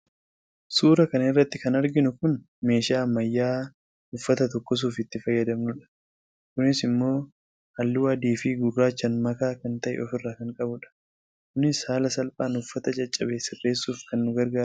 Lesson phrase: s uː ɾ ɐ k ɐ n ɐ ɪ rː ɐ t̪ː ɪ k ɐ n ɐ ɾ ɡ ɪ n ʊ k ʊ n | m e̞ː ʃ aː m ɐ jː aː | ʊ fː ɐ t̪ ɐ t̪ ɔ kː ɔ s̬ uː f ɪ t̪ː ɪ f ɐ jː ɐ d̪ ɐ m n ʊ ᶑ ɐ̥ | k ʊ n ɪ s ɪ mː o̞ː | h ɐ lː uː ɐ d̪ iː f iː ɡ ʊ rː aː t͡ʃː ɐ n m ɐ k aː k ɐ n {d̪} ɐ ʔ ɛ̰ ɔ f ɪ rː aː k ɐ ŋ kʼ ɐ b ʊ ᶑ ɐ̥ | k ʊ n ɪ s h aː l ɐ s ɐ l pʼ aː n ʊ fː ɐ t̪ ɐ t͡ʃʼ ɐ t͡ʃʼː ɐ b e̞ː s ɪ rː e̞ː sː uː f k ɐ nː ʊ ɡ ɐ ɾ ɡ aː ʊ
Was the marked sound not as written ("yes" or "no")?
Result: yes